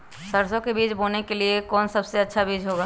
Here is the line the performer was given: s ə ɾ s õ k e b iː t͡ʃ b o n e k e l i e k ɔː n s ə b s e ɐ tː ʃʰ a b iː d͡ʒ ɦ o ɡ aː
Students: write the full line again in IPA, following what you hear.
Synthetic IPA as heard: s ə ɾ s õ k e b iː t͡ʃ b o n e k e l i e k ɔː n s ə b s e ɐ tː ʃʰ a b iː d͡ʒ ɦ o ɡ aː